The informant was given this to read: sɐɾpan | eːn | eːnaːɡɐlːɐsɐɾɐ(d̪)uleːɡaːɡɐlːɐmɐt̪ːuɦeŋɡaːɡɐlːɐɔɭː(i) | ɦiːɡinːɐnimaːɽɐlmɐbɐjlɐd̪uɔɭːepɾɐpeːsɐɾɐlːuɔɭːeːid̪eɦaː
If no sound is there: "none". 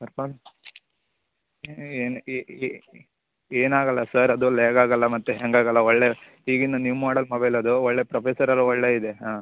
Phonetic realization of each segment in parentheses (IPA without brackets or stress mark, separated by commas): d̪, e